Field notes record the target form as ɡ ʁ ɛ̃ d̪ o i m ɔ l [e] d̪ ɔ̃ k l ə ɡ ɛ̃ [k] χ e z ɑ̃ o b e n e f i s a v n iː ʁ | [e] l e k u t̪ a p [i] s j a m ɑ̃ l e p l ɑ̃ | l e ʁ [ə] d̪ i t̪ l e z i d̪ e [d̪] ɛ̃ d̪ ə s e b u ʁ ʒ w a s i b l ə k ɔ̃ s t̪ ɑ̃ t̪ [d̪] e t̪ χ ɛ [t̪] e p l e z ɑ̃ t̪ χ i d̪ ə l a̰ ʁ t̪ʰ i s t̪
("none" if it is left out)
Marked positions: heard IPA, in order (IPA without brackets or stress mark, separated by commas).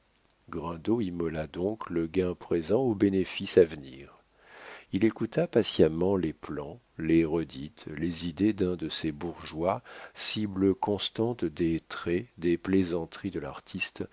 a, p, i, a, ə, d̪, d̪, d̪